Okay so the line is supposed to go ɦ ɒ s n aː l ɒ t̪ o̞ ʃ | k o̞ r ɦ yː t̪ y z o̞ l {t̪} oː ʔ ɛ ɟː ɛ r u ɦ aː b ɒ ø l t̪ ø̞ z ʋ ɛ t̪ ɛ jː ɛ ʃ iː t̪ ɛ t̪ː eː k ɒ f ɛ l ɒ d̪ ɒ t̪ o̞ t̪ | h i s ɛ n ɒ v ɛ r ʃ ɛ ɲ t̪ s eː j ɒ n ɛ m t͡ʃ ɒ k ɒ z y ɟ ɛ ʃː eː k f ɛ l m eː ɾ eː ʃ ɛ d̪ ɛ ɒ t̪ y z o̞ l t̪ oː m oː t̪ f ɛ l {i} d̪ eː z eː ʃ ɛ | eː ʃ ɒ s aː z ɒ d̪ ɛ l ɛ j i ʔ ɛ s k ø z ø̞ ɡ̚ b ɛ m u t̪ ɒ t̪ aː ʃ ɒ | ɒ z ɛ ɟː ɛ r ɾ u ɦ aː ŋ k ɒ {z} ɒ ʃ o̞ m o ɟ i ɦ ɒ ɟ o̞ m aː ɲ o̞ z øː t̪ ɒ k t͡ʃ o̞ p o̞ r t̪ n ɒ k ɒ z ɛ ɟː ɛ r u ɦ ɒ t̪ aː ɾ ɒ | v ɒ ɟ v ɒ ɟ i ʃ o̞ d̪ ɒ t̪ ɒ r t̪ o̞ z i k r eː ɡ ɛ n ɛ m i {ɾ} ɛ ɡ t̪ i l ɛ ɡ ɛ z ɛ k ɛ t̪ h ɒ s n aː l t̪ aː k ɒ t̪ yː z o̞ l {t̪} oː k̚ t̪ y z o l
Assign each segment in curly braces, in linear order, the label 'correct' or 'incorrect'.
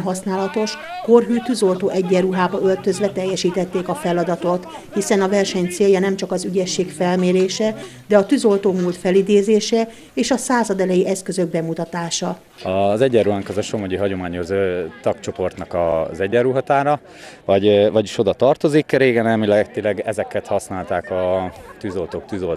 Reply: correct, correct, correct, incorrect: l, correct

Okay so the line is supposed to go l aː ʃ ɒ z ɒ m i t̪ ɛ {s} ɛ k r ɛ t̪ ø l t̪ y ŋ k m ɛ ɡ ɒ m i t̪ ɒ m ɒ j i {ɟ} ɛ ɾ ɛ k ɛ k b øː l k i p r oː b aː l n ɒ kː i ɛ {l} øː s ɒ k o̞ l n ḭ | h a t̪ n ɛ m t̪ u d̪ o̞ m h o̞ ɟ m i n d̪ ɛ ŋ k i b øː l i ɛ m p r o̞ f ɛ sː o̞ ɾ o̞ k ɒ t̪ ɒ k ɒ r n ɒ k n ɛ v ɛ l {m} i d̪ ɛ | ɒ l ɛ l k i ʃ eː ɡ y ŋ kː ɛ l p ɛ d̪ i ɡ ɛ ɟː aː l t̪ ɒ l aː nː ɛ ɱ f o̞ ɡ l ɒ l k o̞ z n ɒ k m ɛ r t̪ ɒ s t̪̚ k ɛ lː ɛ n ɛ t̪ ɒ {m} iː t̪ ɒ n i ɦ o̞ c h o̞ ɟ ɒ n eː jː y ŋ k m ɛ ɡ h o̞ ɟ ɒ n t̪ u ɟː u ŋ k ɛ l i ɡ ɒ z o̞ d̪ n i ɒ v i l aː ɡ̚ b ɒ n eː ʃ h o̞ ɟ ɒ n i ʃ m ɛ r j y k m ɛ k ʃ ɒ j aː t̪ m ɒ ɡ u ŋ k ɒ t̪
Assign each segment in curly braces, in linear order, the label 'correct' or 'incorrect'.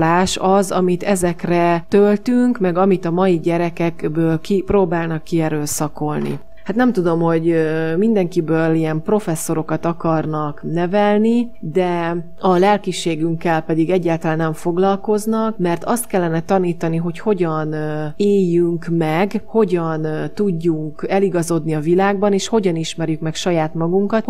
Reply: incorrect: z, correct, incorrect: ɾ, incorrect: n, incorrect: n

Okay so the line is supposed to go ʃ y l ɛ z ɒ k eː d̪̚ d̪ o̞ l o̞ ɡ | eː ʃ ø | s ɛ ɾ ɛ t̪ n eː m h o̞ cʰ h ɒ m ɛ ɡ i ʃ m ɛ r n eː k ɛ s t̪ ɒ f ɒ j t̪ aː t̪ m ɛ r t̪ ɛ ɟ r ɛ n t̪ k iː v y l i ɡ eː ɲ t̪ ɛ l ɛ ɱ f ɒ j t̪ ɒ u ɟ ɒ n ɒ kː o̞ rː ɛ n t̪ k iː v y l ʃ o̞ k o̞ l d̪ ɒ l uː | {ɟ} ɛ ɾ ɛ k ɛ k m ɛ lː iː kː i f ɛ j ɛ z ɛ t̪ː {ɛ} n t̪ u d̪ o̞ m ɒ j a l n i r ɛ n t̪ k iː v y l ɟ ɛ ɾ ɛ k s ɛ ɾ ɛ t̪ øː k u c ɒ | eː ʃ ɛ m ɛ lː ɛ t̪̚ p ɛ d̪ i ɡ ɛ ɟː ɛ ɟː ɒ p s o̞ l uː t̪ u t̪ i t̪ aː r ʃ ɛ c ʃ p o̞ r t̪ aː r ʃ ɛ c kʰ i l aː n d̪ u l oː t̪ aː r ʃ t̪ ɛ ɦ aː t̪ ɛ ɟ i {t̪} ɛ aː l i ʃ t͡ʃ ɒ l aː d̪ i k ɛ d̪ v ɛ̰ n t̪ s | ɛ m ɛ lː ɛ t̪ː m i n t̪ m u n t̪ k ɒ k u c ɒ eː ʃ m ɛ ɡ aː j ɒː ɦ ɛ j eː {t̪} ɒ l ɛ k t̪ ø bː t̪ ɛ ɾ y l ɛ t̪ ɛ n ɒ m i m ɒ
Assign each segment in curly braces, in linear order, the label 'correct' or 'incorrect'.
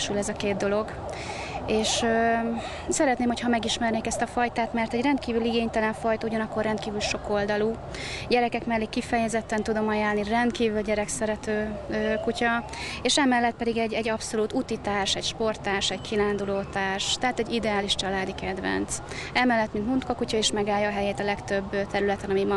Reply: correct, correct, incorrect: d̪, correct

